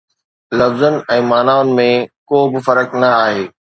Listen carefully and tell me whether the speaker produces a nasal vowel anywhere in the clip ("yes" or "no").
yes